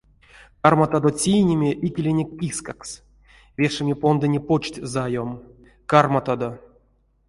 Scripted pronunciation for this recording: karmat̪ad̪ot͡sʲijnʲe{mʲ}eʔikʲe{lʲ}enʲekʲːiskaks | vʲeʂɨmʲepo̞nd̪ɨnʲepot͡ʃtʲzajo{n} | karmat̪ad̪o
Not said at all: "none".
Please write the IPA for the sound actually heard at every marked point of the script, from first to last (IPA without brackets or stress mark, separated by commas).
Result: mʲ, lʲ, m